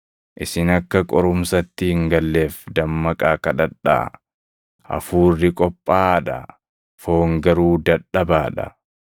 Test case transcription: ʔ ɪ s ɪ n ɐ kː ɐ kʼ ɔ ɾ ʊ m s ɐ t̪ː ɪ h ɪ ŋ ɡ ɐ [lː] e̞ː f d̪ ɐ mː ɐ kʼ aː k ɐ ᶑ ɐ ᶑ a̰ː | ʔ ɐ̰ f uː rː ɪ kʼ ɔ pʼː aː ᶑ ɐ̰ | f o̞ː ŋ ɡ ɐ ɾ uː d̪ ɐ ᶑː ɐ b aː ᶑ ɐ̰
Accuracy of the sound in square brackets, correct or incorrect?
correct